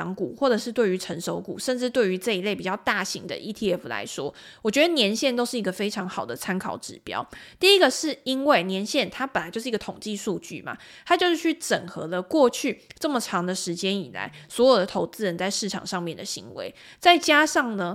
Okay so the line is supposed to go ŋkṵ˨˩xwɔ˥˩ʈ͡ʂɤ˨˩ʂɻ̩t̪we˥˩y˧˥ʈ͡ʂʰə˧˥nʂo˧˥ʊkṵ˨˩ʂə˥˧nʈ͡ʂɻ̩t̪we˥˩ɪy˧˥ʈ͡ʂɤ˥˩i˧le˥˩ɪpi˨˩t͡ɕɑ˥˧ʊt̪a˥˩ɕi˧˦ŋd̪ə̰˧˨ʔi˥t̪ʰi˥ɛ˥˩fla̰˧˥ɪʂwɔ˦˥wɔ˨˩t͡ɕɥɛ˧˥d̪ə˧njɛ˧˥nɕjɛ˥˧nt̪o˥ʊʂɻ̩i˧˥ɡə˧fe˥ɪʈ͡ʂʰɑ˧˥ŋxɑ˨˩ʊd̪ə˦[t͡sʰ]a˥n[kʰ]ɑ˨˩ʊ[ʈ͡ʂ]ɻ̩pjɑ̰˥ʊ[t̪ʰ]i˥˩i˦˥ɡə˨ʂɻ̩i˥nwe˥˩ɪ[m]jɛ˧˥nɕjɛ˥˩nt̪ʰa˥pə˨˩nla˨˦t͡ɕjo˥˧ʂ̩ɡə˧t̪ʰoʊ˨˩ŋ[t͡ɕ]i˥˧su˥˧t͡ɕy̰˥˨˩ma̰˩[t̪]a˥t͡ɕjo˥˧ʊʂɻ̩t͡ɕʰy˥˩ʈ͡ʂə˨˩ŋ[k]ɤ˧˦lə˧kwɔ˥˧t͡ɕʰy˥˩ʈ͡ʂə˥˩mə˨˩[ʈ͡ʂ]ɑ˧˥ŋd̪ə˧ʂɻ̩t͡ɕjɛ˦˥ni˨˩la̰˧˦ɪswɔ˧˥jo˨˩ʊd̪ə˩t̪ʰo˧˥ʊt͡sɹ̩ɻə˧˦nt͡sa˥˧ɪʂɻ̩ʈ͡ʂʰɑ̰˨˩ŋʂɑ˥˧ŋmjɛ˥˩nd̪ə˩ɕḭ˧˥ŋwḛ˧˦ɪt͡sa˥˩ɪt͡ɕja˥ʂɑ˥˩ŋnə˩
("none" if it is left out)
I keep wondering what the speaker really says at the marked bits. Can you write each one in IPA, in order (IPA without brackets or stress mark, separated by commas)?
t͡sʰ, kʰ, ʈ͡ʂ, t̪, n, t͡ɕ, t̪ʰ, x, ʈ͡ʂʰ